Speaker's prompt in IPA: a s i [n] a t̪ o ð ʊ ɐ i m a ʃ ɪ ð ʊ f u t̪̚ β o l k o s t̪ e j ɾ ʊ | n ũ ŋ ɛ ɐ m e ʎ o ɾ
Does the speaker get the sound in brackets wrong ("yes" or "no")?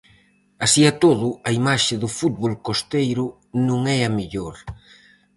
yes